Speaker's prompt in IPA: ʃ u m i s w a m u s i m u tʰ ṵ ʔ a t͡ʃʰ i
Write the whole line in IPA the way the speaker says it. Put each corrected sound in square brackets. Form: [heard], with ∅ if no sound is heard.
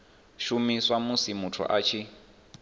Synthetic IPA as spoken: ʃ u m i s w a m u s i m u tʰ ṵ ʔ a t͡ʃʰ i